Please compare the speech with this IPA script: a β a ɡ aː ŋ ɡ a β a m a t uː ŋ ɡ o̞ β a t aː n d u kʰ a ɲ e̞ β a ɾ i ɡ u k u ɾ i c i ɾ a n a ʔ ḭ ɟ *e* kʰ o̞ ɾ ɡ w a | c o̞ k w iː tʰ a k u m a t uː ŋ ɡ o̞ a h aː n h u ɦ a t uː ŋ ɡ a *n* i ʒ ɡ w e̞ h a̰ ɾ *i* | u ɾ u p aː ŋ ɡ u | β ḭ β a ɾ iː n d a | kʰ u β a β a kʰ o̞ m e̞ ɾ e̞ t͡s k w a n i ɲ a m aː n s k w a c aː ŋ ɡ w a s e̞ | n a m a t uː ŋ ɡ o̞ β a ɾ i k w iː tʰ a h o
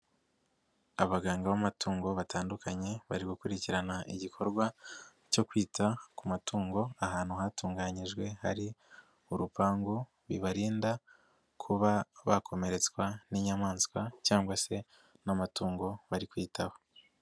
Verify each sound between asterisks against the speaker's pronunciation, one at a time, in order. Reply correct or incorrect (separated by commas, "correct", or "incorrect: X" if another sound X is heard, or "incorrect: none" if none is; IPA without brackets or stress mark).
incorrect: i, incorrect: ɲ, correct